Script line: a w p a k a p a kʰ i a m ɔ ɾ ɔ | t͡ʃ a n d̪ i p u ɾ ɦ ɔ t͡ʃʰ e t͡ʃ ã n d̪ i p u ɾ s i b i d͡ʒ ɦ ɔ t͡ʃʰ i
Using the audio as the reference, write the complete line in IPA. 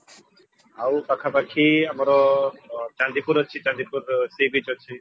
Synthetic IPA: a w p a kʰ a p a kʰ i a m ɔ ɾ ɔ | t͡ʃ a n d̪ i p u ɾ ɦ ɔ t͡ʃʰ i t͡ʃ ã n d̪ i p u ɾ s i b i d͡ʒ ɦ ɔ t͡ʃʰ i